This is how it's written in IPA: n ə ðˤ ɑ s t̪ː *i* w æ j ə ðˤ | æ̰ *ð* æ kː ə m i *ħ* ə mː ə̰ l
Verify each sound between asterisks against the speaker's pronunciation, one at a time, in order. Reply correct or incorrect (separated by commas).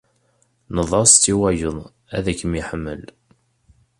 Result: correct, correct, correct